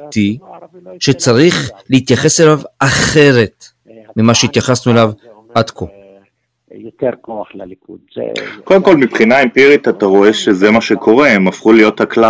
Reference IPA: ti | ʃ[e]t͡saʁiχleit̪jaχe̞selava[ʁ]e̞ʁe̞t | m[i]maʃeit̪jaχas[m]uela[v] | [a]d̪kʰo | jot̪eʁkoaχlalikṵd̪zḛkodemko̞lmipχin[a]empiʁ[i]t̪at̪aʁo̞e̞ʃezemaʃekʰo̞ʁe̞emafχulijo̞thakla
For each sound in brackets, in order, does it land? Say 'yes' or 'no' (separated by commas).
yes, no, yes, no, yes, yes, yes, yes